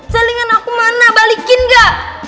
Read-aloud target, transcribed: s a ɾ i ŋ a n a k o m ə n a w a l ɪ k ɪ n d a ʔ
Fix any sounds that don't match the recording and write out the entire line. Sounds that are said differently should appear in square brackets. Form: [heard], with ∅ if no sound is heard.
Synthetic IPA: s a [l] i ŋ a n a k [u] m [a] n a [b] a l [i] k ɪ n [ɡ] a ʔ